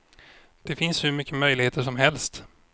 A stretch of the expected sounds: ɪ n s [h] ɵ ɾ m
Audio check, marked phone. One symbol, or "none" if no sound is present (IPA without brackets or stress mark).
h